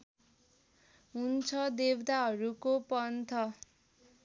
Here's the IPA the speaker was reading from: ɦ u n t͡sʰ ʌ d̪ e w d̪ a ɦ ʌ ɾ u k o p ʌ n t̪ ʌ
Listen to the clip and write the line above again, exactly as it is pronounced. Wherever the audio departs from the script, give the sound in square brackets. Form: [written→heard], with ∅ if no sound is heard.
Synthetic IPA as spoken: ɦ u n t͡sʰ ʌ d̪ e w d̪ a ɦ ʌ ɾ u k o p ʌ n [t̪→t̪ʰ] ʌ